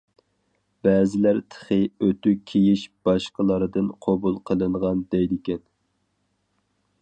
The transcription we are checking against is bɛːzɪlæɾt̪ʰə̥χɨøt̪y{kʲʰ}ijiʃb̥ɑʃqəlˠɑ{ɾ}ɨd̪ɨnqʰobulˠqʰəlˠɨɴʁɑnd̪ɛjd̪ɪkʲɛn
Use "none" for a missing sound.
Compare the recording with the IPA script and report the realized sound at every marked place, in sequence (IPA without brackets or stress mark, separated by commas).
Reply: kʲʰ, ɾ